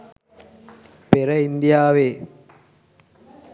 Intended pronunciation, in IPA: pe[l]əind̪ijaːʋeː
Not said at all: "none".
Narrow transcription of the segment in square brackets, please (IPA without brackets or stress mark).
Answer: ɾ